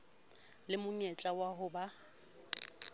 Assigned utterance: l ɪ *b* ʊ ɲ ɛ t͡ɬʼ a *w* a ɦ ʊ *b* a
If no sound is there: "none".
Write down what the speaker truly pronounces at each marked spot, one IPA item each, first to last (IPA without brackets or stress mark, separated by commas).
m, w, b